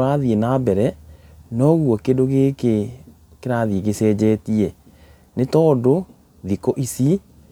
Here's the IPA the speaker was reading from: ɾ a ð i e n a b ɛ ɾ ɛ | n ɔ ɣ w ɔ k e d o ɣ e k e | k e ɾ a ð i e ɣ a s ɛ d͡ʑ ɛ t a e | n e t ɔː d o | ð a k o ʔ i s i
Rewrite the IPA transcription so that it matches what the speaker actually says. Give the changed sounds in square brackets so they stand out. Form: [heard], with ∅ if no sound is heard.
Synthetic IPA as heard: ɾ a ð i e n a b ɛ ɾ ɛ | n ɔ ɣ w ɔ k e d o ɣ e k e | k e ɾ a ð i e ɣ [e] s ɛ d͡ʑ ɛ t [i] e | n e t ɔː d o | ð [i] k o ʔ i s i

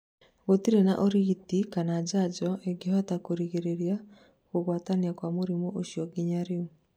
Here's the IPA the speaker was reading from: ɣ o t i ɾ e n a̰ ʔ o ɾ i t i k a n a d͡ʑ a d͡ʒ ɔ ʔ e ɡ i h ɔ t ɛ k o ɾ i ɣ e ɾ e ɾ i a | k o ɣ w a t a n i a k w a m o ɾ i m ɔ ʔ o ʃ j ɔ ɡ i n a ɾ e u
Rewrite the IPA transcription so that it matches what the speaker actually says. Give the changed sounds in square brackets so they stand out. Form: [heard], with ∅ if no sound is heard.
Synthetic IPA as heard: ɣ o t i ɾ e n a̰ ʔ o ɾ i t i k a n a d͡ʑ a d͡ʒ ɔ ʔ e ɡ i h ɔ t [a] k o ɾ i ɣ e ɾ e ɾ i a | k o ɣ w a t a n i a k w a m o ɾ i m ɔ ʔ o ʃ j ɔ ɡ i [ɲ] a ɾ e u

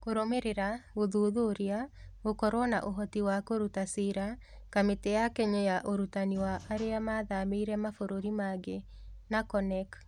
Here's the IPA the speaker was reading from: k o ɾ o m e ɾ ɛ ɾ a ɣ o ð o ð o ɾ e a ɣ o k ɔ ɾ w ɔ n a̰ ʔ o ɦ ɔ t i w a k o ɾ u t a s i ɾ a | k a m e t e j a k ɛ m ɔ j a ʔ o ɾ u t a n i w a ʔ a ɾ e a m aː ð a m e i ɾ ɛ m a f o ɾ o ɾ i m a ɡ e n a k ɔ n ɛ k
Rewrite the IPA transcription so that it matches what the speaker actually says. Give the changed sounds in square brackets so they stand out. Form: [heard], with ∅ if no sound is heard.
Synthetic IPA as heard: k o ɾ o m e ɾ [e] ɾ a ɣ o ð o ð o ɾ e a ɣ o k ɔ ɾ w ɔ n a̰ ʔ o ɦ ɔ t i w a k o ɾ u t a s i ɾ a | k a m e t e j a k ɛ [ɲ] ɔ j a ʔ o ɾ u t a n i w a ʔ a ɾ e a m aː ð a m e i ɾ ɛ m a f o ɾ o ɾ i m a ɡ e n a k ɔ n ɛ k

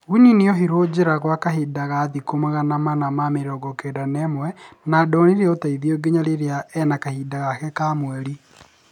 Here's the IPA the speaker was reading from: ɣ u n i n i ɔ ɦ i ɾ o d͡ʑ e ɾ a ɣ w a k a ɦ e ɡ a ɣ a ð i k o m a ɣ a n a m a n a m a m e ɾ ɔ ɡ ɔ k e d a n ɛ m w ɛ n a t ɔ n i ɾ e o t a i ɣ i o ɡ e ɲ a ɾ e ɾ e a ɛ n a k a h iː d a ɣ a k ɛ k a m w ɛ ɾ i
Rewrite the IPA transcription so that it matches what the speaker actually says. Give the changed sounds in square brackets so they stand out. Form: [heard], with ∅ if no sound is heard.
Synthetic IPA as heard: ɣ u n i n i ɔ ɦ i ɾ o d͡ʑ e ɾ a ɣ w a k a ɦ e [d] a ɣ a ð i k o m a ɣ a n a m a n a m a m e ɾ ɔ ɡ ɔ k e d a n ɛ m w ɛ n a [d] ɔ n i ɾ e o t a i [ð] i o ɡ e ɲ a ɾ e ɾ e a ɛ n a k a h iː d a ɣ a k ɛ k a m w ɛ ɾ i

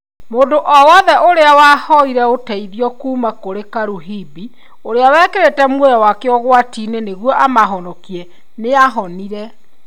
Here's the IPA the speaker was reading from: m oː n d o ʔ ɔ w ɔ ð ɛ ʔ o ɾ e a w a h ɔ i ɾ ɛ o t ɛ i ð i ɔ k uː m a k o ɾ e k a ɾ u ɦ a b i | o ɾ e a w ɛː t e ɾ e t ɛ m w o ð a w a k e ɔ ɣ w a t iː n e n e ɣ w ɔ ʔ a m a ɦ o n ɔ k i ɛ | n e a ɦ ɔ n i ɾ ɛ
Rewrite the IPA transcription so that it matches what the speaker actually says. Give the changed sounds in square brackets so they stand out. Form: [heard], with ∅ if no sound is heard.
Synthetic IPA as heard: m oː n d o ʔ ɔ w ɔ ð ɛ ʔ o ɾ e a w a h ɔ i ɾ ɛ o t ɛ i ð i ɔ k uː m a k o ɾ e k a ɾ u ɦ [i] b i | o ɾ e a w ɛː [k] e ɾ e t ɛ m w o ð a w a k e ɔ ɣ w a t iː n e n e ɣ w ɔ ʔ a m a ɦ [ɔ] n ɔ k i ɛ | n e a ɦ ɔ n i ɾ ɛ

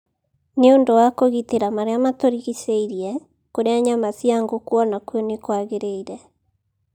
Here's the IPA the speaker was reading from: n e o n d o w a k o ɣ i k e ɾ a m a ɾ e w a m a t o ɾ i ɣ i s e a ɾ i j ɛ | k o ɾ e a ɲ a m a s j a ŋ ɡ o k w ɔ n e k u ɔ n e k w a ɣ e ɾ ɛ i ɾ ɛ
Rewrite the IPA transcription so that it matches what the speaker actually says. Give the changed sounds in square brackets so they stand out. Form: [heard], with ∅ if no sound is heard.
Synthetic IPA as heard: n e o n d o w a k o ɣ i [t] e ɾ a m a ɾ e [∅] a m a t o ɾ i ɣ i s e [i] ɾ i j ɛ | k o ɾ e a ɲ a m a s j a ŋ ɡ o k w ɔ n [a] k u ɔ n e k w a ɣ e ɾ [e] i ɾ ɛ

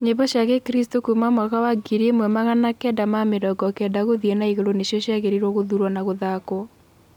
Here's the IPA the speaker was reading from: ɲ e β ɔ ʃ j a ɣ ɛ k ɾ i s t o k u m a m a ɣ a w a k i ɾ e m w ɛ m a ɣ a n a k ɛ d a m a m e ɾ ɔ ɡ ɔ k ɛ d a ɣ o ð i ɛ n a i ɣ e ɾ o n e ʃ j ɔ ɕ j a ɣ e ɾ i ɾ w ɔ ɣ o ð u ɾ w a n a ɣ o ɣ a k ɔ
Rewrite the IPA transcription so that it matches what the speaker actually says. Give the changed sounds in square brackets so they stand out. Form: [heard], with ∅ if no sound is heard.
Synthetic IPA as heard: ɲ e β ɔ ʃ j a ɣ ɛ k ɾ i s t o k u m a m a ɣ a w a [ɡ] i ɾ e m w ɛ m a ɣ a n a k ɛ d a m a m e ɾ ɔ ɡ ɔ k ɛ d a ɣ o ð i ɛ n a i ɣ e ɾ o n e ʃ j ɔ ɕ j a ɣ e ɾ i ɾ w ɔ ɣ o ð u ɾ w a n a ɣ o [ð] a k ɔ

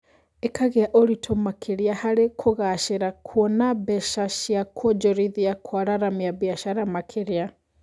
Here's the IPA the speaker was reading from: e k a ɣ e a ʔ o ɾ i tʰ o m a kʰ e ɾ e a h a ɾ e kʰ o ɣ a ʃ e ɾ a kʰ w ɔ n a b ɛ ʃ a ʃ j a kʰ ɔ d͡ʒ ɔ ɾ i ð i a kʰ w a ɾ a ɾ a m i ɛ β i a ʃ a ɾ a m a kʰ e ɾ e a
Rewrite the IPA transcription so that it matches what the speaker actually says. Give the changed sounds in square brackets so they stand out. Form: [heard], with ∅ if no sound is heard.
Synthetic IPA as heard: e k a ɣ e a ʔ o ɾ i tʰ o m a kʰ e ɾ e a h a ɾ e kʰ o ɣ a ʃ e ɾ a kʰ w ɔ n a b ɛ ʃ a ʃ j a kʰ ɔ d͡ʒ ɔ ɾ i ð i a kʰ w a ɾ a ɾ a m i [a] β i a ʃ a ɾ a m a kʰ e ɾ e a

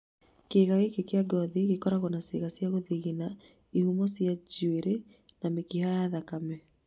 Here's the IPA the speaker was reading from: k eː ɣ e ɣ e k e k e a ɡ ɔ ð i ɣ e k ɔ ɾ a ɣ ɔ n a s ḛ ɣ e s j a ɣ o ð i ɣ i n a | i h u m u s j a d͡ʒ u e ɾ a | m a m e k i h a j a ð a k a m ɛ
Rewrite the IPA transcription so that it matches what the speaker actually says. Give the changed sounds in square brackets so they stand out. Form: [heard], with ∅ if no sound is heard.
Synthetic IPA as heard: k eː ɣ [a] ɣ e k e k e a ɡ ɔ ð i ɣ e k ɔ ɾ a ɣ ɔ n a s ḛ ɣ [a] s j a ɣ o ð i ɣ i n a | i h u m [ɔ] s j a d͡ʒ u e ɾ [e] | [n] a m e k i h a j a ð a k a m ɛ

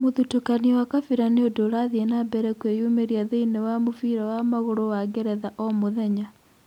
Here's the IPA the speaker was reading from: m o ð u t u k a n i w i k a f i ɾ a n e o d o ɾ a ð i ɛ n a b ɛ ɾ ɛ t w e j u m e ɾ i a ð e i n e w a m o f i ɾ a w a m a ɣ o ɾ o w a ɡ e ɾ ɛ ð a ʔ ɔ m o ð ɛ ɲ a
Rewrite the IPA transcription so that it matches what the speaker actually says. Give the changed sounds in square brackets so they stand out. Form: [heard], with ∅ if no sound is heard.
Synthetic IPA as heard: m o ð u t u k a n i w [a] k a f i ɾ a n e o d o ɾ a ð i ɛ n a b ɛ ɾ ɛ [k] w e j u m e ɾ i a ð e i n e w a m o f i ɾ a w a m a ɣ o ɾ o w a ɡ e ɾ ɛ ð a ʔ ɔ m o ð ɛ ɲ a

